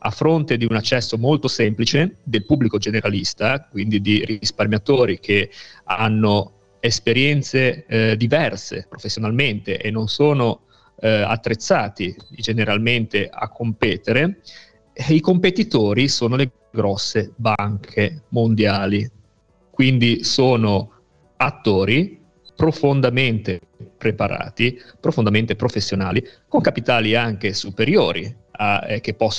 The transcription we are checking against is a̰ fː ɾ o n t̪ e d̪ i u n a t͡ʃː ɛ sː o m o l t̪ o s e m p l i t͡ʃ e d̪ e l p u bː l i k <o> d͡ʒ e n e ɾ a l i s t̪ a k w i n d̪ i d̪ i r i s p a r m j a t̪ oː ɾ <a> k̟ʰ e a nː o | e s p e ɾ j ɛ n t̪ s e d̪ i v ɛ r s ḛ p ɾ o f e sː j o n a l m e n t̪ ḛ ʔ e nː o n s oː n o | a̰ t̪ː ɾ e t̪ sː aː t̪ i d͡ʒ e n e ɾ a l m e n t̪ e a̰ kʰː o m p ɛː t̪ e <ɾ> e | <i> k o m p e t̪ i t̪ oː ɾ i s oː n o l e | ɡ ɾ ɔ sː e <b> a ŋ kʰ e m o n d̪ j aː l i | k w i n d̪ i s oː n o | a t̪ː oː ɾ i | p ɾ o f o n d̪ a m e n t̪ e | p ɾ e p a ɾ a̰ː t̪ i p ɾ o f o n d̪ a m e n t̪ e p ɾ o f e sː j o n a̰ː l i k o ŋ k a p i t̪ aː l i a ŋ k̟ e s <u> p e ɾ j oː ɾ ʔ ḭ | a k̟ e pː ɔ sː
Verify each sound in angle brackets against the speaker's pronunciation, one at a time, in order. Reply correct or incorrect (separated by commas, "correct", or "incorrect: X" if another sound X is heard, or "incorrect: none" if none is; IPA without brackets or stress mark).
correct, incorrect: i, correct, correct, correct, correct